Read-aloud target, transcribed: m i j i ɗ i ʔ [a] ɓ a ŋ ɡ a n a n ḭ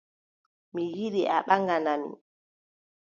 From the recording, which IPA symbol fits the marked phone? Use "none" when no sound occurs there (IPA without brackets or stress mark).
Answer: a